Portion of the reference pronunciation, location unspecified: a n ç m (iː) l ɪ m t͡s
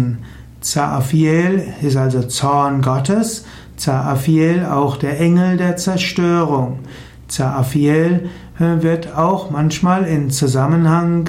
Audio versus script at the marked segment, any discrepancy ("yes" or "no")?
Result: yes